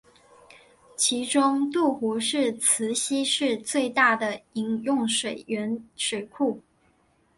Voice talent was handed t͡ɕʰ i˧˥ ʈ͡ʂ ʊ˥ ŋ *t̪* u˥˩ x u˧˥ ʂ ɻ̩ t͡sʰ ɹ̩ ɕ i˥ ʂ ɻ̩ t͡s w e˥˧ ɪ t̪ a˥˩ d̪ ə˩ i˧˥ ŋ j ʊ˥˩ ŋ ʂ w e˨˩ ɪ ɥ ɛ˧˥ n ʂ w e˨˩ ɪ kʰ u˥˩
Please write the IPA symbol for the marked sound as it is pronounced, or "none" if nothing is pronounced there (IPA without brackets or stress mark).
t̪